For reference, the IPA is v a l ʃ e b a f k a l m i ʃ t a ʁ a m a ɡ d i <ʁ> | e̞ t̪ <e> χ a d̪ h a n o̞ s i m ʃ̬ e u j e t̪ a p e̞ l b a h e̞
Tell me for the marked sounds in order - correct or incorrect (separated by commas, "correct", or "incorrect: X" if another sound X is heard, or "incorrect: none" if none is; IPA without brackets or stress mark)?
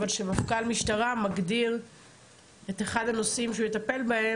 correct, correct